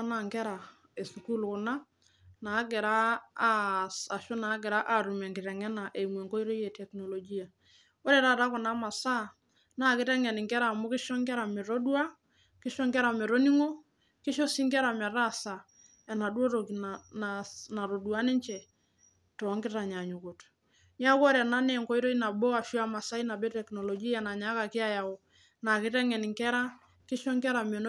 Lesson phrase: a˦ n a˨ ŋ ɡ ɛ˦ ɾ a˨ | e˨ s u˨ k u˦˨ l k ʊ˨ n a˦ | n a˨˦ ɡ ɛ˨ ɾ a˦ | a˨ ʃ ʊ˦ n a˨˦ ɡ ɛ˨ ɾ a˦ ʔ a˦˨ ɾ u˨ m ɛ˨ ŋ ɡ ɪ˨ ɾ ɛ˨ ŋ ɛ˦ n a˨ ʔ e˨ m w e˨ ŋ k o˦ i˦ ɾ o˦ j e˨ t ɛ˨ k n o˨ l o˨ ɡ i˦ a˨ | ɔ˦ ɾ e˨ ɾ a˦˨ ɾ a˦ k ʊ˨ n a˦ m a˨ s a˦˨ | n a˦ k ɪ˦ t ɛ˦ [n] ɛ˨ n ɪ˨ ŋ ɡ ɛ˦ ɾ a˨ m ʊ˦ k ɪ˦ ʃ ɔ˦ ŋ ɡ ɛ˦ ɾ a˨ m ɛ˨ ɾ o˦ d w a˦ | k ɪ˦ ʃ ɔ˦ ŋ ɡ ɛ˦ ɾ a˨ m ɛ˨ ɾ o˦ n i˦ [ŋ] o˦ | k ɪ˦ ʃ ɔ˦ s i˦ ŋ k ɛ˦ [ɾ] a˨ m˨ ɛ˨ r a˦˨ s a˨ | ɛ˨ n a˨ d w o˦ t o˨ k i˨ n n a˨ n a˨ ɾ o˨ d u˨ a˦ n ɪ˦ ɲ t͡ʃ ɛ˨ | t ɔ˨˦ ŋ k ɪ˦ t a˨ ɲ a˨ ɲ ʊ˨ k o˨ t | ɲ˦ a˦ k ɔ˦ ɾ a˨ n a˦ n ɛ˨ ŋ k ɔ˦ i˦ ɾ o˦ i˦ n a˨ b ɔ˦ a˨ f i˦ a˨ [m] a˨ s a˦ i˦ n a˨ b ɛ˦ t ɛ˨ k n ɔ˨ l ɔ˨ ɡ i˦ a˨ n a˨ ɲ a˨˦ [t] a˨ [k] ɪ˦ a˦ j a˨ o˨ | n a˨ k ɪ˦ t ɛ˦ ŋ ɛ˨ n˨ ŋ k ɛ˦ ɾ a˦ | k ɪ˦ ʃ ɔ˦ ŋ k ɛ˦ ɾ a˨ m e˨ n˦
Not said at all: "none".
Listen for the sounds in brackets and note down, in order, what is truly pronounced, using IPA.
ŋ, ŋ, ɾ, m, k, k

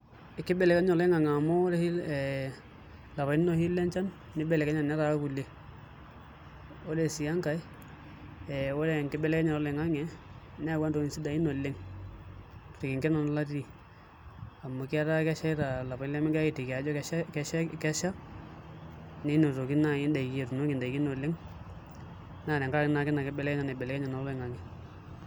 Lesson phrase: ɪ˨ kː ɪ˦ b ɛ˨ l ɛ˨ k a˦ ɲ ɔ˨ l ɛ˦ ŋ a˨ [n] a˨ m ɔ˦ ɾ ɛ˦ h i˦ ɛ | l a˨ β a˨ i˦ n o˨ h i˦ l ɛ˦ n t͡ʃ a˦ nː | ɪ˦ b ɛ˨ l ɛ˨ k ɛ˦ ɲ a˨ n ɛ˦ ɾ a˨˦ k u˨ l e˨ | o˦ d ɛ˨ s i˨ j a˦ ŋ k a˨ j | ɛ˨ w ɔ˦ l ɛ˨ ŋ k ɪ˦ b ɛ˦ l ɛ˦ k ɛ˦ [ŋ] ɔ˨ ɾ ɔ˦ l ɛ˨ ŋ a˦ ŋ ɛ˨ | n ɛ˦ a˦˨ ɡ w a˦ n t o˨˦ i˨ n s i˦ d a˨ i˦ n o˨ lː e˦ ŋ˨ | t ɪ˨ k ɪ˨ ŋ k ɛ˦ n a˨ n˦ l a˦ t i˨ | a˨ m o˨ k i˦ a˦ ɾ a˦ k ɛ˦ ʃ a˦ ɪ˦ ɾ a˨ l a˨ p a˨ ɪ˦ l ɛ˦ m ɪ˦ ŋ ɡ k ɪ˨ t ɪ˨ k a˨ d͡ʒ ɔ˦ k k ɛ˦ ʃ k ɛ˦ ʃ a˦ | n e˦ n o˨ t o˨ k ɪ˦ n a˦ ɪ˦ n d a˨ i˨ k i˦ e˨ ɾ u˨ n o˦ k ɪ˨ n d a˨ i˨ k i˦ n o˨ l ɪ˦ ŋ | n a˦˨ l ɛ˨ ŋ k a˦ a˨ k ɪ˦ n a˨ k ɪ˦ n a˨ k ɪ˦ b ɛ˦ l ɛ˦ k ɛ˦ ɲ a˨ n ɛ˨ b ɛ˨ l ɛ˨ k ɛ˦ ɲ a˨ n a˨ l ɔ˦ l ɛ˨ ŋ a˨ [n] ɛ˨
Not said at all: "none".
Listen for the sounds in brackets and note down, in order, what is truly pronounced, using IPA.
ŋ, ɲ, ŋ

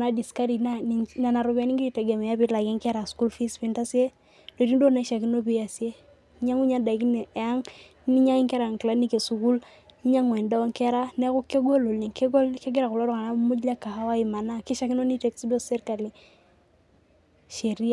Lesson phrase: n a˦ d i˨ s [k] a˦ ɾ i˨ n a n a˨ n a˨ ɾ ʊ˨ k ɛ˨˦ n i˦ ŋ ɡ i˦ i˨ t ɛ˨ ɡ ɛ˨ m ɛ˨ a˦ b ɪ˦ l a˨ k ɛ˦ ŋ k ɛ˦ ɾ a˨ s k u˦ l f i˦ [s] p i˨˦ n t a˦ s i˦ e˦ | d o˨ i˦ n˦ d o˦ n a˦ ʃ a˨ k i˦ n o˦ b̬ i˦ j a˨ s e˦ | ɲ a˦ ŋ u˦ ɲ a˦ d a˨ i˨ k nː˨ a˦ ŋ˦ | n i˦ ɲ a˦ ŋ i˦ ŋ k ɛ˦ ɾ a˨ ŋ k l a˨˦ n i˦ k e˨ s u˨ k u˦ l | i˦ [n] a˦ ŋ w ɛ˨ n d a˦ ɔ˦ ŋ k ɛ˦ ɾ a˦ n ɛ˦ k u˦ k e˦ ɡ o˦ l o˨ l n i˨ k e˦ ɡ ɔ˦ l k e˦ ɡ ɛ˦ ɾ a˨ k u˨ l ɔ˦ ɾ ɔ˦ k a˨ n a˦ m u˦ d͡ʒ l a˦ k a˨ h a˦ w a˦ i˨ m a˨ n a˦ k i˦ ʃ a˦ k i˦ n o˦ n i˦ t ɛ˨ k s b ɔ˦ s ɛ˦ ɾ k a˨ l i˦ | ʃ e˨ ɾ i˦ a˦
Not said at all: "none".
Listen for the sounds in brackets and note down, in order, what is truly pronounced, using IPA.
k, s, ɲ

